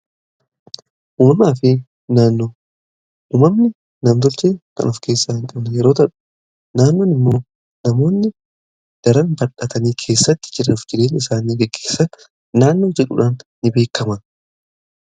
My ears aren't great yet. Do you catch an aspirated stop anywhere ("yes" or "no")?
yes